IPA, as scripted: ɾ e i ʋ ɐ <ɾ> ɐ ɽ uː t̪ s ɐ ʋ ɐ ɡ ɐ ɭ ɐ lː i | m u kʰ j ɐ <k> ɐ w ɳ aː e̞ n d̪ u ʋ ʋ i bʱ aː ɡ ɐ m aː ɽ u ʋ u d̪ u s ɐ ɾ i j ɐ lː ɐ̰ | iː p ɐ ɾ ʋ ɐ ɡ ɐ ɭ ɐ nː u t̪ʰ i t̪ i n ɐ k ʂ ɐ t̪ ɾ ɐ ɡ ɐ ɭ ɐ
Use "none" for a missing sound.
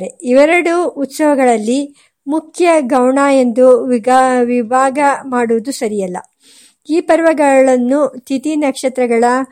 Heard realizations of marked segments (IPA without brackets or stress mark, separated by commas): ɾ, ɡ